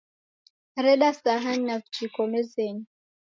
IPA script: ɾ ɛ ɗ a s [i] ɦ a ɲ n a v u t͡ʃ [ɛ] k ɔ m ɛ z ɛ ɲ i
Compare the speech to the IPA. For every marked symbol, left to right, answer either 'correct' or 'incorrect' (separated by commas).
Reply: incorrect, incorrect